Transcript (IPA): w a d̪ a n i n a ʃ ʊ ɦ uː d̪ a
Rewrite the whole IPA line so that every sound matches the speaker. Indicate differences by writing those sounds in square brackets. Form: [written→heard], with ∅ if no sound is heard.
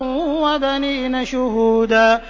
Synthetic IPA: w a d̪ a n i n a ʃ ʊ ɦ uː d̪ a